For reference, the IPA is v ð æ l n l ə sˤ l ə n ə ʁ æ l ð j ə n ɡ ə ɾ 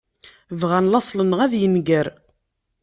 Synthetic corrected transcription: v ʁ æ n l ɑ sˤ l ə n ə ʁ æ ð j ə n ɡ ə ɾ